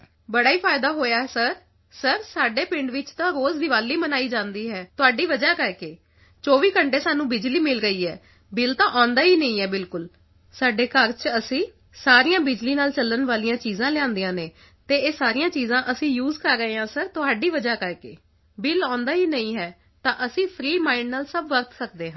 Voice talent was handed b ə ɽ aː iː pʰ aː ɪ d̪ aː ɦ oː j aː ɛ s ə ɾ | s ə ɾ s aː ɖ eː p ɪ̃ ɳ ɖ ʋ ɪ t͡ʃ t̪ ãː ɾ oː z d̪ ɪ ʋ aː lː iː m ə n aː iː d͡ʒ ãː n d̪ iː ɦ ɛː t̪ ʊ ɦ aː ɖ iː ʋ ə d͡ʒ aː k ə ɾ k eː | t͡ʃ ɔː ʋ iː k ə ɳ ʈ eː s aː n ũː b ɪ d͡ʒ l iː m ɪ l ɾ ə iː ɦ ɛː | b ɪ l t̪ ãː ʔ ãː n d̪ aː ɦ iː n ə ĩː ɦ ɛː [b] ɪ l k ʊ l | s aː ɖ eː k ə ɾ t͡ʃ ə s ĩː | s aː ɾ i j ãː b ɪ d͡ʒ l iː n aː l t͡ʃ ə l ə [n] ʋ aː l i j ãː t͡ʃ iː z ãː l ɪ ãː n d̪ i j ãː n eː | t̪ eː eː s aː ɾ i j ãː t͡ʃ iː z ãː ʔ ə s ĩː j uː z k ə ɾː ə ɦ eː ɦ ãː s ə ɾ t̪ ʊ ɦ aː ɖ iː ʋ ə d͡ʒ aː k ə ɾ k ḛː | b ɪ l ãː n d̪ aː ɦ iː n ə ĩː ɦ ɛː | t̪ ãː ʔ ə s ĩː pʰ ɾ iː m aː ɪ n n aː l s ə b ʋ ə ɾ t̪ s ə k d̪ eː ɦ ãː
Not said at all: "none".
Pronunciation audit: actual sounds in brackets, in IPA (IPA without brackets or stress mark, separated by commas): b, n